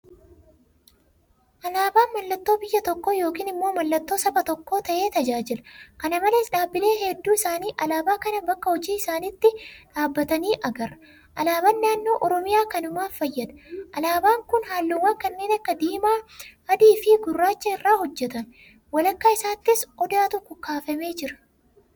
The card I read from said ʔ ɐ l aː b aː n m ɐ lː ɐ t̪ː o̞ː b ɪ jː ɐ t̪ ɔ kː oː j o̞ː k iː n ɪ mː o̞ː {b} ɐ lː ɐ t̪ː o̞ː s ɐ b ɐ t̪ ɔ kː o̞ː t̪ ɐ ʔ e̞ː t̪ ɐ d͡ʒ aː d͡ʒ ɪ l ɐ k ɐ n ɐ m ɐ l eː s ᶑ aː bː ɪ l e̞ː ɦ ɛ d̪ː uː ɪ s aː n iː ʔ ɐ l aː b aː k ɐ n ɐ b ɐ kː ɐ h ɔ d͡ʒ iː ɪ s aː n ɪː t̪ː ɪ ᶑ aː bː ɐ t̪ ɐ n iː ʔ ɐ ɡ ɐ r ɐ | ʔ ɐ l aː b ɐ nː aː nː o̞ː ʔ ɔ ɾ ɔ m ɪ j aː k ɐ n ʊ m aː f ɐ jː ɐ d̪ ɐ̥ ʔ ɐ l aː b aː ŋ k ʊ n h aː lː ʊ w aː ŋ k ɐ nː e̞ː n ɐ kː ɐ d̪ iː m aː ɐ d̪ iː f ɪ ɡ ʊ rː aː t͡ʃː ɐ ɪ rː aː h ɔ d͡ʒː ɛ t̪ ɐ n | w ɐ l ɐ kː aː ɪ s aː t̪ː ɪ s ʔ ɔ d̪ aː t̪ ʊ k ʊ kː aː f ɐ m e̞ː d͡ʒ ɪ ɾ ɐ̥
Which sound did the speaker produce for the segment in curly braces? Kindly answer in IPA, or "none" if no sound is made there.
m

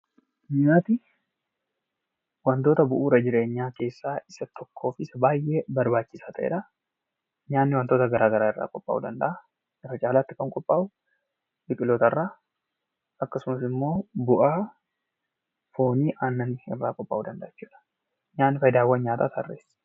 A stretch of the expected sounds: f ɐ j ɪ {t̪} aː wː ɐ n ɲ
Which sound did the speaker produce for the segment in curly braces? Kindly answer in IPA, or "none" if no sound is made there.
d̪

